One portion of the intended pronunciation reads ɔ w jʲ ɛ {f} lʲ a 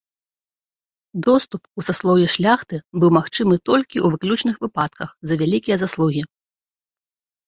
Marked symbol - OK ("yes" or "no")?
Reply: no